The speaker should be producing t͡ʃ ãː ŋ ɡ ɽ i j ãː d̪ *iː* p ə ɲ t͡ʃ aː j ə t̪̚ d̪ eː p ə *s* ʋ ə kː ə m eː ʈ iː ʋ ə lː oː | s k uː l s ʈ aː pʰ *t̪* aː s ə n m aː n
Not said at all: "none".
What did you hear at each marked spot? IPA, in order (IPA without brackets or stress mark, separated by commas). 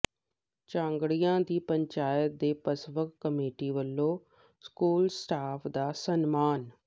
iː, s, d̪